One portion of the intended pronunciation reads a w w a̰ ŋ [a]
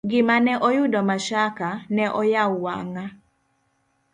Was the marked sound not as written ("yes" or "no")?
no